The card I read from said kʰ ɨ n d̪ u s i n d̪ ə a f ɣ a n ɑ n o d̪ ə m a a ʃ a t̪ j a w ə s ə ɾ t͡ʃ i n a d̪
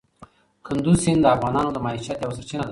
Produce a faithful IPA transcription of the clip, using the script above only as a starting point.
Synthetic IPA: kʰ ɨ n d̪ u s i n d̪ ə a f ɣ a n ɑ n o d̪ ə m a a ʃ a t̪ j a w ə s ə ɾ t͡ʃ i n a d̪